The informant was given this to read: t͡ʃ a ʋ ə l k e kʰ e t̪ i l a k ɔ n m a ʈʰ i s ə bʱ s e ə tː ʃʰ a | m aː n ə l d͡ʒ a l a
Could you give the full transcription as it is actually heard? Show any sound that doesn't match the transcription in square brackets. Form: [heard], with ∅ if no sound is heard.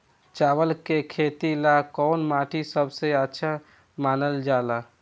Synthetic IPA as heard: t͡ʃ a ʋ ə l k e kʰ e t̪ i l a k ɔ n m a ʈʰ i s ə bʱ s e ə tː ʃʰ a | m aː n ə l d͡ʒ a l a